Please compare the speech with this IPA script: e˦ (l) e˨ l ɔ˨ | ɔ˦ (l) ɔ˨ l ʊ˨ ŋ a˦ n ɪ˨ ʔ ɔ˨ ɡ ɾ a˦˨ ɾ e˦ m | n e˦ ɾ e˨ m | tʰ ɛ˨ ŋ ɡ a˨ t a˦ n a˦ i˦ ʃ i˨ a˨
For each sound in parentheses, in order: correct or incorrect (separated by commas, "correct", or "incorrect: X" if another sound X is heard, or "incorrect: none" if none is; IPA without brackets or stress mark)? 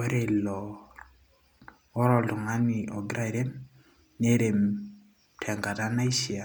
incorrect: ɾ, incorrect: ɾ